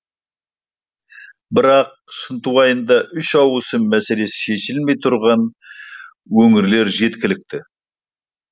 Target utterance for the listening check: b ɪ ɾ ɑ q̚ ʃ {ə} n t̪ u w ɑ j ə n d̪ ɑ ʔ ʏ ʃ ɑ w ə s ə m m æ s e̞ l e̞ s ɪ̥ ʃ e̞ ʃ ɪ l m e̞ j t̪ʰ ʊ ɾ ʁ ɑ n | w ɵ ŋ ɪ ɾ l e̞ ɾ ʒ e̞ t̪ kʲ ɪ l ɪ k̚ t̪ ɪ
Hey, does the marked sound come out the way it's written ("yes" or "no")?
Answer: yes